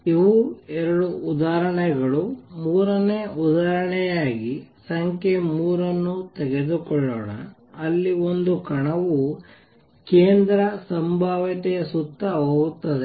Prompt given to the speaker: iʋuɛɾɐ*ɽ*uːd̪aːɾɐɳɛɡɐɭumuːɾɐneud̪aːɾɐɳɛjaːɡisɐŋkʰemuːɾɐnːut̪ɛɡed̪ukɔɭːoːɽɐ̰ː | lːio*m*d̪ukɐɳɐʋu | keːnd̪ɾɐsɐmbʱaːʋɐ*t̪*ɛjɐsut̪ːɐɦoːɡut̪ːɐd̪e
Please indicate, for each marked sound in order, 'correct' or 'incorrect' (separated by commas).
correct, incorrect, correct